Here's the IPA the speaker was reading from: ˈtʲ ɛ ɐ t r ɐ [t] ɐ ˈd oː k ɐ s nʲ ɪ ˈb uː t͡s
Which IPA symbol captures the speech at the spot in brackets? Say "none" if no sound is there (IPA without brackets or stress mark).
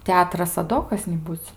s